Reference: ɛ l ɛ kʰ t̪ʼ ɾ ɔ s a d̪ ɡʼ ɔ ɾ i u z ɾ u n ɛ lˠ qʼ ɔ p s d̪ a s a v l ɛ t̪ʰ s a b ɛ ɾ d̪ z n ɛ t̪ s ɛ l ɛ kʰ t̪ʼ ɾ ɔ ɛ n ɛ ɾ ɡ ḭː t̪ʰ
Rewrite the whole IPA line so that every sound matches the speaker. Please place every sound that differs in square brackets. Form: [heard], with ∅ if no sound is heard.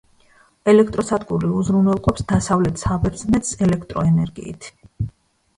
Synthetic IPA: ɛ l ɛ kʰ t̪ʼ ɾ ɔ s a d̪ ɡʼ [u] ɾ i u z ɾ u n ɛ lˠ qʼ ɔ p s d̪ a s a v l ɛ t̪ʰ s a b ɛ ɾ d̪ z n ɛ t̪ s ɛ l ɛ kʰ t̪ʼ ɾ ɔ ɛ n ɛ ɾ ɡ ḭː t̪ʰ

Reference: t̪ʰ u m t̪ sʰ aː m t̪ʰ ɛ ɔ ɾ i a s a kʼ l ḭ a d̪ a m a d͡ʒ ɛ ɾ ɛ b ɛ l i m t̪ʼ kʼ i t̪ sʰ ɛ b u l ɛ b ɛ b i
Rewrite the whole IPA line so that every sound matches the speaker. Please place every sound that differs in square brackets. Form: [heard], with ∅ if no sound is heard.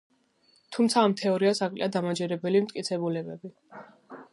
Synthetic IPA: t̪ʰ u m t̪ sʰ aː m t̪ʰ ɛ ɔ ɾ i a s a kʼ l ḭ a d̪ a m a d͡ʒ ɛ ɾ ɛ b ɛ l i m t̪ʼ kʼ i t̪ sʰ ɛ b u l ɛ b ɛ b i

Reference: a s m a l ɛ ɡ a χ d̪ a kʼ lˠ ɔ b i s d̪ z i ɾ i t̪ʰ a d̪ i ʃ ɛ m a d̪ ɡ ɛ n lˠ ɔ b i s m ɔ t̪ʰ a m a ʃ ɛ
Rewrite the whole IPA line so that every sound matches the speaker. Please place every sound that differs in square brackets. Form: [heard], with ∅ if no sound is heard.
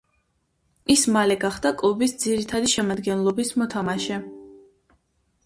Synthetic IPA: [i] s m a l ɛ ɡ a χ d̪ a kʼ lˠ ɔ b i s d̪ z i ɾ i t̪ʰ a d̪ i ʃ ɛ m a d̪ ɡ ɛ n lˠ ɔ b i s m ɔ t̪ʰ a m a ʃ ɛ

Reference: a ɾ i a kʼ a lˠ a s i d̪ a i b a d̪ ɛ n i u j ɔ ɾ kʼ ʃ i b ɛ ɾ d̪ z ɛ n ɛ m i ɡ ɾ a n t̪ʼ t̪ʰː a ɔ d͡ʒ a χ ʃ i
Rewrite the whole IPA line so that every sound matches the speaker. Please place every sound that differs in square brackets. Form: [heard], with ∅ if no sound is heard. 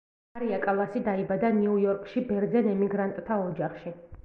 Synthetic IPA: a ɾ i a kʼ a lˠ a s i d̪ a i b a d̪ [a] n i u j ɔ ɾ kʼ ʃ i b ɛ ɾ d̪ z ɛ n ɛ m i ɡ ɾ a n t̪ʼ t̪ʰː a ɔ d͡ʒ a χ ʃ i

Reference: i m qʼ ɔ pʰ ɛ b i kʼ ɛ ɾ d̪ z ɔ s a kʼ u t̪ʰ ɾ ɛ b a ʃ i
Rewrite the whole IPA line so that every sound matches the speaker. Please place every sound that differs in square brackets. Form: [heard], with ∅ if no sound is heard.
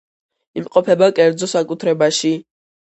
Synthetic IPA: i m qʼ ɔ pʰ ɛ b [a] kʼ ɛ ɾ d̪ z ɔ s a kʼ u t̪ʰ ɾ ɛ b a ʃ i

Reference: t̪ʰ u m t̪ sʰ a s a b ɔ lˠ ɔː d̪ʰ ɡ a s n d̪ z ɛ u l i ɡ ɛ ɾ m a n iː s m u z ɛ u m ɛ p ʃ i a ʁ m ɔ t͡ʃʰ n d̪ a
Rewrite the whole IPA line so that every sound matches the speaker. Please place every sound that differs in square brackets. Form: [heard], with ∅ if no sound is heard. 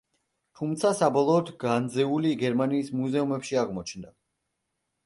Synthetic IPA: t̪ʰ u m t̪ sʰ a s a b ɔ lˠ ɔː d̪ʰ ɡ a [∅] n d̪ z ɛ u l i ɡ ɛ ɾ m a n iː s m u z ɛ u m ɛ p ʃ i a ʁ m ɔ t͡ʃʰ n d̪ a

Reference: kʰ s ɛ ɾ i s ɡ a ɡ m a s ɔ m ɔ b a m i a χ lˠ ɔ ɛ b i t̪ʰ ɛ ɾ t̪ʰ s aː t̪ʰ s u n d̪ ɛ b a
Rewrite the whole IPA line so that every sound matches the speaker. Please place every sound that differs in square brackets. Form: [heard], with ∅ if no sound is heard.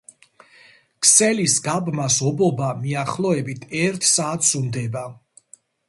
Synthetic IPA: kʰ s ɛ [l] i s ɡ a [b] m a s ɔ [b] ɔ b a m i a χ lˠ ɔ ɛ b i t̪ʰ ɛ ɾ t̪ʰ s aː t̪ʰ s u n d̪ ɛ b a

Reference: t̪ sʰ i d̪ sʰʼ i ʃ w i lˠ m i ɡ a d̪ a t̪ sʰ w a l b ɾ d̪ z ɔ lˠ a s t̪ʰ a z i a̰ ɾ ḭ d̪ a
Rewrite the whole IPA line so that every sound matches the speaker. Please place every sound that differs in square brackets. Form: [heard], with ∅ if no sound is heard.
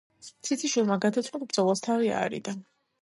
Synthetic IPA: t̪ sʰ i [t̪] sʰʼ i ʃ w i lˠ m [a] ɡ a d̪ a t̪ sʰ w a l b ɾ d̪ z ɔ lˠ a s t̪ʰ a [v] i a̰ ɾ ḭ d̪ a

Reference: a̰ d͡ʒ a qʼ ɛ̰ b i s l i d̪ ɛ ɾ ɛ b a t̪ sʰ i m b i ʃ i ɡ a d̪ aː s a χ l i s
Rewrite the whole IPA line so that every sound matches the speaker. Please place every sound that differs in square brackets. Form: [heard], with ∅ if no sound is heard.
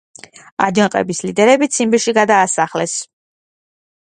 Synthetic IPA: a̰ d͡ʒ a qʼ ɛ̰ b i s l i d̪ ɛ ɾ ɛ b [i] t̪ sʰ i m b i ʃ i ɡ a d̪ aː s a χ l [ɛ] s

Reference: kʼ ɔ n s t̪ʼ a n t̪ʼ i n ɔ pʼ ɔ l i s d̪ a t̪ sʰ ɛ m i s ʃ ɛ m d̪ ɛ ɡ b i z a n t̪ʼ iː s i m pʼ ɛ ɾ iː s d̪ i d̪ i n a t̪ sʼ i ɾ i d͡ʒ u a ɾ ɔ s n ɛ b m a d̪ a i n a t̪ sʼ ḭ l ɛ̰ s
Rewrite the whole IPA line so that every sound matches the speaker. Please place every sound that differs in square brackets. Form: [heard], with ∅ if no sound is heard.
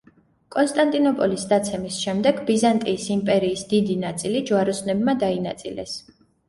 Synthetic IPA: kʼ ɔ n s t̪ʼ a n t̪ʼ i n ɔ pʼ ɔ l i s d̪ a t̪ sʰ ɛ m i s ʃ ɛ m d̪ ɛ ɡ b i z a n t̪ʼ iː s i m pʼ ɛ ɾ iː s d̪ i d̪ i n a t̪ sʼ i [l] i d͡ʒ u a ɾ ɔ s n ɛ b m a d̪ a i n a t̪ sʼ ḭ l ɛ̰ s

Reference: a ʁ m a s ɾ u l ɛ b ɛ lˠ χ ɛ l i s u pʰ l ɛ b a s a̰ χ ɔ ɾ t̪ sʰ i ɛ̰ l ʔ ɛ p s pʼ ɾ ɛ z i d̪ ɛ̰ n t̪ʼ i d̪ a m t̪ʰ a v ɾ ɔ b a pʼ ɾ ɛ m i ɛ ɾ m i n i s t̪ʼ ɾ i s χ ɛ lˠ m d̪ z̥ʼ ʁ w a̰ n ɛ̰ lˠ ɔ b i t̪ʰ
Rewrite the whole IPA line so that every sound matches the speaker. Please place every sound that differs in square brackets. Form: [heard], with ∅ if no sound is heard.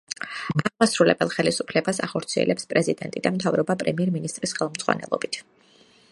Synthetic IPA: a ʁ m a s ɾ u l ɛ b ɛ lˠ χ ɛ l i s u pʰ l ɛ b a s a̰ χ ɔ ɾ t̪ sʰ i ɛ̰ l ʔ ɛ p s pʼ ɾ ɛ z i d̪ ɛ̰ n t̪ʼ i d̪ a m t̪ʰ a v ɾ ɔ b a pʼ ɾ ɛ m i ɛ ɾ m i n i s t̪ʼ ɾ i s χ ɛ lˠ m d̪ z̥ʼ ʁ w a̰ n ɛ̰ lˠ ɔ b i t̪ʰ

